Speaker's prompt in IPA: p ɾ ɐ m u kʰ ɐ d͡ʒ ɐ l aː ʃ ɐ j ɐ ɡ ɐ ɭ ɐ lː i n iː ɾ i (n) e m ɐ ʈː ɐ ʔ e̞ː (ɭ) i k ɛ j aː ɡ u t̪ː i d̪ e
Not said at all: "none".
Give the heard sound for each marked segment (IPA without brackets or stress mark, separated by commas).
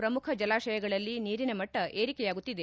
n, ɾ